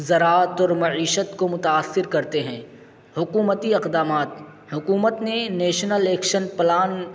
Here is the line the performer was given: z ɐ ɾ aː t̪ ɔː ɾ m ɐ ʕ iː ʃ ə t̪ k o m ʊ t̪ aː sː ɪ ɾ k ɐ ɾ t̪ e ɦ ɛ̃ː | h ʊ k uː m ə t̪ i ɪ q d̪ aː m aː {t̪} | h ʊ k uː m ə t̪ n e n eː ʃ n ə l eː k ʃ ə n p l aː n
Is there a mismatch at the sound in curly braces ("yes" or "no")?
no